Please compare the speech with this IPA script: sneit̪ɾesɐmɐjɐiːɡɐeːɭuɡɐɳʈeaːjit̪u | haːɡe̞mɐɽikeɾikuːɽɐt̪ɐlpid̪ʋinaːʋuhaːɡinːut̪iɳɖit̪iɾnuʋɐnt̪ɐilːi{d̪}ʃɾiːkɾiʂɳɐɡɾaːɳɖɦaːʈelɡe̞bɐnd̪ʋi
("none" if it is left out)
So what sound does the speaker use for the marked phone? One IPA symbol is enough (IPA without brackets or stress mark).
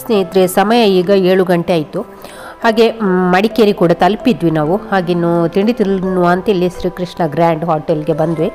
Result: none